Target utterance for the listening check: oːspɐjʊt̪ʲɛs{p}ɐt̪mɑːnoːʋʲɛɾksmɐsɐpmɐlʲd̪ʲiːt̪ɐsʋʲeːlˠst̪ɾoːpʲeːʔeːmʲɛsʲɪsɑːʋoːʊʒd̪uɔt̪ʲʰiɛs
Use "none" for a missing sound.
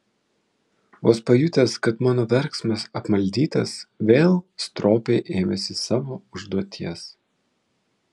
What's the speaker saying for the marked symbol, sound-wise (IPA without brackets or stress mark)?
k